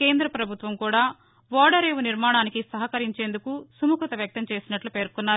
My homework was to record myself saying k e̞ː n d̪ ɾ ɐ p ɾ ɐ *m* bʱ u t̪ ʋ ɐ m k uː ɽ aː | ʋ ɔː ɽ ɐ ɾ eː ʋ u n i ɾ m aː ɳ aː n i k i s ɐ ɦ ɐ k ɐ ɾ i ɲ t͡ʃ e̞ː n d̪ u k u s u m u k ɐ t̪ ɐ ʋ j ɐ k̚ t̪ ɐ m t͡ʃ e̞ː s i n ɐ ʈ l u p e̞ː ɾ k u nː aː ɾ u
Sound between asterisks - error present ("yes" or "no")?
yes